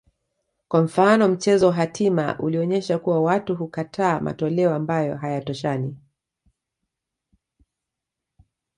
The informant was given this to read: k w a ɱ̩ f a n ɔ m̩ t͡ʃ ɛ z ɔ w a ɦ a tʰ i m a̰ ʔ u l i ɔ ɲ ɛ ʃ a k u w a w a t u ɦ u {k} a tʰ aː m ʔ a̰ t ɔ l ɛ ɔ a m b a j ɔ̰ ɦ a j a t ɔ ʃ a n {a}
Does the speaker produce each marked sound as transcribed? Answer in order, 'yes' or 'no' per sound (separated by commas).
yes, no